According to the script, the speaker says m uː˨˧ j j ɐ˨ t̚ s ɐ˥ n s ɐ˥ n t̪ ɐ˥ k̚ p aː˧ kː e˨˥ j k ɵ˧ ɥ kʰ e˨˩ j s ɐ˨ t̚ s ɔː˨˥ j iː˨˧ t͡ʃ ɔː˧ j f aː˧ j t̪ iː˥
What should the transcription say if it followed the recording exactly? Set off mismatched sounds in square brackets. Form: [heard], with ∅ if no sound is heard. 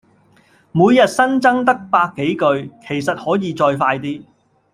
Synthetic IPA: m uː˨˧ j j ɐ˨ t̚ s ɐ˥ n [t͡s] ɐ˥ [ŋ] t̪ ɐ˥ k̚ p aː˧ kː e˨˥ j k ɵ˧ ɥ kʰ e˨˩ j s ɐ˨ t̚ [h] ɔː˨˥ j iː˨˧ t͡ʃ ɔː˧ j f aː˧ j t̪ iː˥